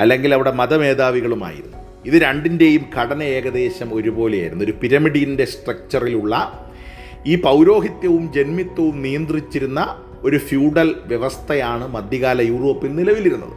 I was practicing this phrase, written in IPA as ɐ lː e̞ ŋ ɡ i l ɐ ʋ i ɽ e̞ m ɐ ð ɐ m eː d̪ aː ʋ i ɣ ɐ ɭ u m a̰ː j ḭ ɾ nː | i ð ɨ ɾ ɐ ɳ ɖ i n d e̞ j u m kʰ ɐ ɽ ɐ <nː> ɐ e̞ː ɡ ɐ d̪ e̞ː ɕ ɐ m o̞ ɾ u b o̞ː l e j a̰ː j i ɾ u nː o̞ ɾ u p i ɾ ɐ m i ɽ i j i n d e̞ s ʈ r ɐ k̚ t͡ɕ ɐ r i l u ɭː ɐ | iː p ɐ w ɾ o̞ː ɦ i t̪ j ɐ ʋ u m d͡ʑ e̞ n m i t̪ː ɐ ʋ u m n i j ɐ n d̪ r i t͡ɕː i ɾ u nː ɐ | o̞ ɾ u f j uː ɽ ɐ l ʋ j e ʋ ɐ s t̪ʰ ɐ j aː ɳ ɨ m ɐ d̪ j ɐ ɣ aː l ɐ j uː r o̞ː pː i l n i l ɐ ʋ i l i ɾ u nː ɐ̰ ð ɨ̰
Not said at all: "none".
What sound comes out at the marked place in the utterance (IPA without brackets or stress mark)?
n